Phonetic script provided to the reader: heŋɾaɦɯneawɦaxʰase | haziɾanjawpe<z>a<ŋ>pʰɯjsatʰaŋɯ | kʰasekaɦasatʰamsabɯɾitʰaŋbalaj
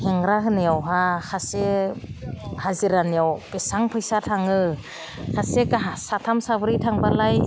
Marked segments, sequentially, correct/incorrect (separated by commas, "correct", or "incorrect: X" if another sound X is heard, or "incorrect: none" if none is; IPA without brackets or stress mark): incorrect: s, correct